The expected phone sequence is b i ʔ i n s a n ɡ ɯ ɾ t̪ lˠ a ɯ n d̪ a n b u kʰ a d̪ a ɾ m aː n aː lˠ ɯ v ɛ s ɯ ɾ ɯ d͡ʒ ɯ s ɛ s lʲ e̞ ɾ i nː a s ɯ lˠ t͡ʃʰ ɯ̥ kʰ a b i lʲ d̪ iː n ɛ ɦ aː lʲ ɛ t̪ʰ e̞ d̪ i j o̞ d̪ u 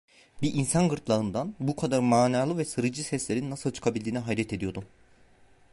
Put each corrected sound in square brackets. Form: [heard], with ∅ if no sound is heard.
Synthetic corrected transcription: b i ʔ i n s a n ɡ ɯ ɾ t̪ lˠ a ɯ n d̪ a n b u kʰ a d̪ a ɾ m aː n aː lˠ ɯ v ɛ s ɯ ɾ ɯ d͡ʒ ɯ s ɛ s lʲ e̞ ɾ i nː a s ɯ lˠ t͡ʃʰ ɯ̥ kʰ a b i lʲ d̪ iː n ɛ ɦ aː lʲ ɛ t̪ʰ e̞ d̪ i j o̞ d̪ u